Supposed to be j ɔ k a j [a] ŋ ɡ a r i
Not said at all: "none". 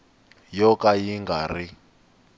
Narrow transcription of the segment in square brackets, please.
i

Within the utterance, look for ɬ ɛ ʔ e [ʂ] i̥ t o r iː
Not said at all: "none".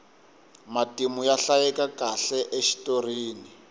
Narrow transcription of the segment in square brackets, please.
ʃ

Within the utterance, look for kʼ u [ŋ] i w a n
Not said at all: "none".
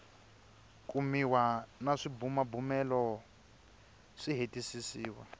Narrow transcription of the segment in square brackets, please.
m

